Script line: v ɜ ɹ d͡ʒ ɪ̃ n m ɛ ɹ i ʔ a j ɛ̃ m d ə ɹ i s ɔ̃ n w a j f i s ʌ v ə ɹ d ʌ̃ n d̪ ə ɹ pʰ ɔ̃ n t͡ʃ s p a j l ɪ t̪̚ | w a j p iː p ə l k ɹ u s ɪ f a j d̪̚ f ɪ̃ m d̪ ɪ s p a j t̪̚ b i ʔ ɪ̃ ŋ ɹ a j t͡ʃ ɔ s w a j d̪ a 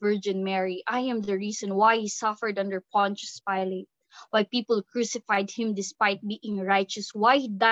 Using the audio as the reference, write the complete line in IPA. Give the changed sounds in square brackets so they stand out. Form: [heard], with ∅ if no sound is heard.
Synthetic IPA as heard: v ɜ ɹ d͡ʒ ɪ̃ n m ɛ ɹ i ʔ a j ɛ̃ m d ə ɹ i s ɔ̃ n w a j [h] i s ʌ [f] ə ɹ d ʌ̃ n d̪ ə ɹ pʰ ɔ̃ n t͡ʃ s p a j l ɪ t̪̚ | w a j p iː p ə l k ɹ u s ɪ f a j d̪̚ [h] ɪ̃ m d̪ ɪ s p a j t̪̚ b i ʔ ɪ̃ ŋ ɹ a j t͡ʃ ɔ s w a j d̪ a